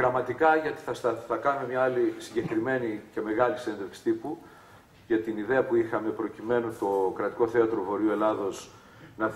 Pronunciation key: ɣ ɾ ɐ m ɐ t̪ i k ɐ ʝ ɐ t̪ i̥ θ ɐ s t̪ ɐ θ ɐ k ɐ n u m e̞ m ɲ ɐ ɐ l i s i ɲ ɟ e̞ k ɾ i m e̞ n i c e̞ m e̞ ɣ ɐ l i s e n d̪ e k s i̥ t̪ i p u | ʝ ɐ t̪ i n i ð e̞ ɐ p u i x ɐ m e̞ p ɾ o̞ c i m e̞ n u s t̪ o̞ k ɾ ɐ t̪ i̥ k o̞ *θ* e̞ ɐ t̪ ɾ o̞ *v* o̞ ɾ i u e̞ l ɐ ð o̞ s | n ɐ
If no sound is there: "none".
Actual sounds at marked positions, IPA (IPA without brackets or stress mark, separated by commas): θ, v